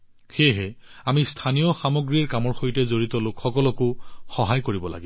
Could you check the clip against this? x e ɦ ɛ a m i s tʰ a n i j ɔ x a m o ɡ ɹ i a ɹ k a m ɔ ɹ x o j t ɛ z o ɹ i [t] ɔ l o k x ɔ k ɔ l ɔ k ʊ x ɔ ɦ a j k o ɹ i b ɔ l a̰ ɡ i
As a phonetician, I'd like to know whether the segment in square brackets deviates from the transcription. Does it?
no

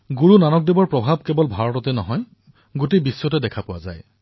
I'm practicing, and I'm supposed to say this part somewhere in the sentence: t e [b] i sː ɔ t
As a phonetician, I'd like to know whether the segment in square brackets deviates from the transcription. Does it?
no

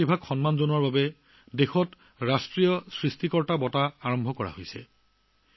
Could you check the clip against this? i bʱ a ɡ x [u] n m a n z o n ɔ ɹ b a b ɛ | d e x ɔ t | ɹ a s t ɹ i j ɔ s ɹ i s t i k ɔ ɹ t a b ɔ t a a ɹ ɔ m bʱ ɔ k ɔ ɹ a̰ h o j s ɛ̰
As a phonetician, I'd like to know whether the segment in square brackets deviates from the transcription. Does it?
yes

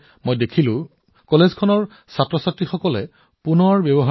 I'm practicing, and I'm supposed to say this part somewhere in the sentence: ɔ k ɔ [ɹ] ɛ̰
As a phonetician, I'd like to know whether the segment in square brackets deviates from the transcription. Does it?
yes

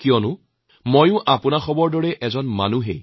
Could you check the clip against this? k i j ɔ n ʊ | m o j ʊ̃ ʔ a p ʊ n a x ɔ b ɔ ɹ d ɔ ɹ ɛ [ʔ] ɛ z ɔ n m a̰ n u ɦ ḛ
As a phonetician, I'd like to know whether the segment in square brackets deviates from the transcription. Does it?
no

